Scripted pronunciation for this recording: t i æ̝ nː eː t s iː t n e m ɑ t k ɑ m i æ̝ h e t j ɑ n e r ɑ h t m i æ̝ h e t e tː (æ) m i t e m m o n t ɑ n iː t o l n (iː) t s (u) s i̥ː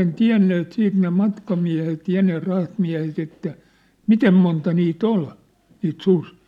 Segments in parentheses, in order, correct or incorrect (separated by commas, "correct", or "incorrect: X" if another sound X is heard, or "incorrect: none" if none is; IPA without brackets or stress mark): correct, correct, correct